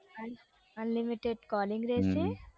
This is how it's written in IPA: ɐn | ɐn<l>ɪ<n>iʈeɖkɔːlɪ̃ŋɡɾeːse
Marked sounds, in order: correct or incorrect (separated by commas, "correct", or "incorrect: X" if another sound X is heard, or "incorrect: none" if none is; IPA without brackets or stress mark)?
correct, incorrect: m